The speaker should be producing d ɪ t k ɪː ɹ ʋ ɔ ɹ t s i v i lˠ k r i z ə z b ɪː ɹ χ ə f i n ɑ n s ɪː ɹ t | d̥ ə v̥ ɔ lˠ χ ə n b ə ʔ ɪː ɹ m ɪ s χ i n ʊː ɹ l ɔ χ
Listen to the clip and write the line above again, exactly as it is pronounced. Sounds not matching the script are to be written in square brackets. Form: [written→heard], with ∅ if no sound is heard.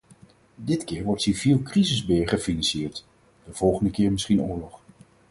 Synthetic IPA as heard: d ɪ t k ɪː ɹ ʋ ɔ ɹ t s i v i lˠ k r i z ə z b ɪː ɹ χ ə f i n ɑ n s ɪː ɹ t | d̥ ə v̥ ɔ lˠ χ ə n [b→d] ə [ʔ→k] ɪː ɹ m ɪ s χ i n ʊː ɹ l ɔ χ